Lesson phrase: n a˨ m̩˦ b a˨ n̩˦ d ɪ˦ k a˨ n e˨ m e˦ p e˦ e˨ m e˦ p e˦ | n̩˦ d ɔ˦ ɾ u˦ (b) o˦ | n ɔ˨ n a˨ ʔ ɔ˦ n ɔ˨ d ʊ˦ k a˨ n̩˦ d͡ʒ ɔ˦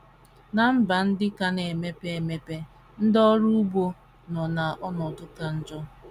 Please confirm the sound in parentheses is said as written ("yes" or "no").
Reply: yes